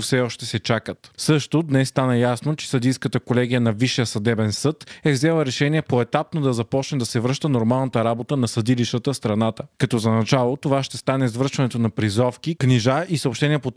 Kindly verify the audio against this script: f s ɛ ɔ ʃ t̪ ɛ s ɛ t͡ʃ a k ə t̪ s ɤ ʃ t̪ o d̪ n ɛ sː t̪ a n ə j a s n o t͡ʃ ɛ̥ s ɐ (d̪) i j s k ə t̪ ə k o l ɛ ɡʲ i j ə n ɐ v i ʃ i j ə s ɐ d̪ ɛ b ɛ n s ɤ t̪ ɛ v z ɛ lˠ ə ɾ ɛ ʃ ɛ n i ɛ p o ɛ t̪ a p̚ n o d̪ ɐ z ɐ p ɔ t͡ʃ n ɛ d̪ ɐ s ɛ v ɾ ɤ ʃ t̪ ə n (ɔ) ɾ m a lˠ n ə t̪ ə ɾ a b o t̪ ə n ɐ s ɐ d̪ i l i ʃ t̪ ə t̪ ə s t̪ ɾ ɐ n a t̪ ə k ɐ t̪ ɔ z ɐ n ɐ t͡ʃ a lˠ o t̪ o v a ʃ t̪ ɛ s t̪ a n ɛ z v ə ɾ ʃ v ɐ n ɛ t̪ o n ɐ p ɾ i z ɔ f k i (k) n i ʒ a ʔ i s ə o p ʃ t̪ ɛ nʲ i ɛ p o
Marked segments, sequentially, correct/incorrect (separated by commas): correct, incorrect, correct